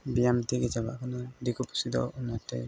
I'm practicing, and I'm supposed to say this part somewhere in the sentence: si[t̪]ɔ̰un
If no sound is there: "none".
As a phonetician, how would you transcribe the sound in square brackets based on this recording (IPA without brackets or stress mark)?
d̪